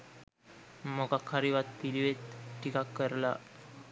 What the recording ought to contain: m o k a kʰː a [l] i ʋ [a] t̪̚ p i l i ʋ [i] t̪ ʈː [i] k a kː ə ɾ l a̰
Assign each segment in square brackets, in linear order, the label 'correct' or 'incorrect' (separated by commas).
incorrect, correct, incorrect, correct